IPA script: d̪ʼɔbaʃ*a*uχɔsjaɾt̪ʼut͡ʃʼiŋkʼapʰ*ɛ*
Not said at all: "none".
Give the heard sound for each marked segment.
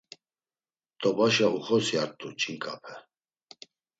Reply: a, ɛ

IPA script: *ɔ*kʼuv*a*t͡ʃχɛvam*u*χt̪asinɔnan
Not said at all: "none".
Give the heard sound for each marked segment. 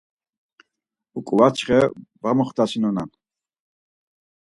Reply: u, a, ɔ

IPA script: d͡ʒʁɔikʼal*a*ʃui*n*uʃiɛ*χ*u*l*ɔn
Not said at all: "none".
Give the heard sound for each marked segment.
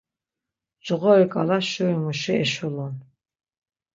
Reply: a, m, ʃ, l

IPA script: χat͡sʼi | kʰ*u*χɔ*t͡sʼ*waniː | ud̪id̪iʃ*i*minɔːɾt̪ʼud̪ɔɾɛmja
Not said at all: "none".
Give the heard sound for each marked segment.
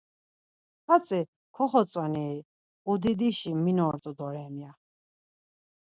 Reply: ɔ, t͡sʼ, i

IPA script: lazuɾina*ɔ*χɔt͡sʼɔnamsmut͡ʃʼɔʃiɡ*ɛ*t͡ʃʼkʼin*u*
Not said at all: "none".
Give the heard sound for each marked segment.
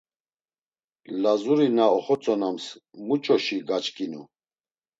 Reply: ɔ, a, u

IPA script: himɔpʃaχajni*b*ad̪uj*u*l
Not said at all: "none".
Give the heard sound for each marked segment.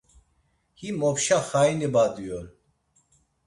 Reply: b, ɔ

